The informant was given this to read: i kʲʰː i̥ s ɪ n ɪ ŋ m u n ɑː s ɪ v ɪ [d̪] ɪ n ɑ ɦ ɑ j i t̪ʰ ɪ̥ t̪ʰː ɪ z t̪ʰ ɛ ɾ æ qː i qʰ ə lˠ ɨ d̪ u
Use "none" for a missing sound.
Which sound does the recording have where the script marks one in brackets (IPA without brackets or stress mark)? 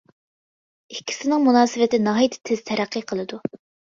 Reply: t̪